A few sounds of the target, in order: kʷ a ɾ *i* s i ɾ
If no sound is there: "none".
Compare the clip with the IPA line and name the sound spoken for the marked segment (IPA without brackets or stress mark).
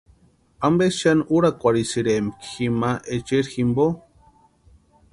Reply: i